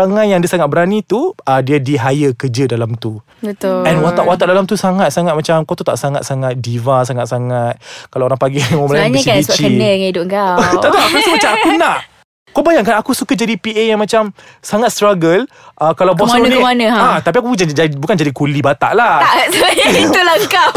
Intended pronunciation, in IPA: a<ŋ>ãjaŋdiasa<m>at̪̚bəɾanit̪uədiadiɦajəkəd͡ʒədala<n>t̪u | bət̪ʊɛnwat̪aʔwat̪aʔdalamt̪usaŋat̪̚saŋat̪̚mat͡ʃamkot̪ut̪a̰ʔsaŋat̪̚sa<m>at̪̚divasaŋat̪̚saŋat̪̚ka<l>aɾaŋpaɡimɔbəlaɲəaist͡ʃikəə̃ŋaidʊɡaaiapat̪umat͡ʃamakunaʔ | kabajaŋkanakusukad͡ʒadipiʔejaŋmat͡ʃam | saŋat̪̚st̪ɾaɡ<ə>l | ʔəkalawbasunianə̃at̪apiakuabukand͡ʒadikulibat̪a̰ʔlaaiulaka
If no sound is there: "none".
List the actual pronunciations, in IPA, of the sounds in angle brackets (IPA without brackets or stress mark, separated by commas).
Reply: ŋ, ŋ, m, ŋ, l, ə